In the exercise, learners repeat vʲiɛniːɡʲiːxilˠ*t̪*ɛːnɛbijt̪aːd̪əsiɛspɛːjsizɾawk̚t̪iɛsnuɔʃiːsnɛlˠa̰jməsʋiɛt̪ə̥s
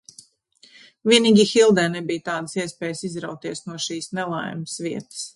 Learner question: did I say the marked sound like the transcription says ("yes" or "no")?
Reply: no